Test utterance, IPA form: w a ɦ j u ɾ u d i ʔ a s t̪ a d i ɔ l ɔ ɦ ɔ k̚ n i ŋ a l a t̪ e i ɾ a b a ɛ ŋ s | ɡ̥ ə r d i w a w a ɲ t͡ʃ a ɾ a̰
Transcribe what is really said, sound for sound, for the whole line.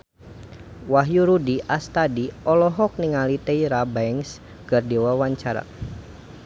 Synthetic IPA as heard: w a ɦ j u ɾ u d i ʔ a s t̪ a d i ɔ l ɔ ɦ ɔ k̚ n i ŋ a l i t̪ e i ɾ a b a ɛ ŋ s | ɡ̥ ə r d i w a w a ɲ t͡ʃ a ɾ a̰